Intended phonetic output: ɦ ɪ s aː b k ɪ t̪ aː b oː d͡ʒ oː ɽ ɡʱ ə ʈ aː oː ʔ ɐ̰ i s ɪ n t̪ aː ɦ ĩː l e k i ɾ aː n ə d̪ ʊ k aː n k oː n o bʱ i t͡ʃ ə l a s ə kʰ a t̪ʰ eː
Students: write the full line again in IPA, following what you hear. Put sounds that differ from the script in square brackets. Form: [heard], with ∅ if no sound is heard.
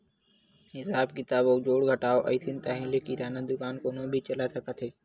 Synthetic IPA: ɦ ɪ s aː b k ɪ t̪ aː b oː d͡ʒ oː ɽ ɡʱ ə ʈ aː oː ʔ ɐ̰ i s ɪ n t̪ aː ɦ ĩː l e k i ɾ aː n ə d̪ ʊ k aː n k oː n o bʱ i t͡ʃ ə l a s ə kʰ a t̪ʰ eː